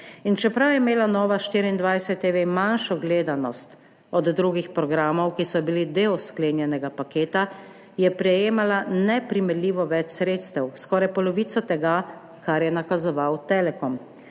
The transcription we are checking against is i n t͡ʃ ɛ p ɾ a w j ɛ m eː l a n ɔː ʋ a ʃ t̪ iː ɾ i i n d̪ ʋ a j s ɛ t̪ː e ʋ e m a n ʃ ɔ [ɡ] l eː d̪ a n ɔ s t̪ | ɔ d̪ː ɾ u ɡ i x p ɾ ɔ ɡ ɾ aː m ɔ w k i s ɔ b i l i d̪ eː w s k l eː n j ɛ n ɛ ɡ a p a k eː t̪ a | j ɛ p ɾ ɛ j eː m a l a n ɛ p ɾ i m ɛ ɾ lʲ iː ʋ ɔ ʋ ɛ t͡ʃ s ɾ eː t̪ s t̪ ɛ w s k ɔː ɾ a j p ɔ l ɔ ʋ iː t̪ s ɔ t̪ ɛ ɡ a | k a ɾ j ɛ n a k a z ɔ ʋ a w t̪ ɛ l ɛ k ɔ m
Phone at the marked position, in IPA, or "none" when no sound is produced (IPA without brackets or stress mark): ɡ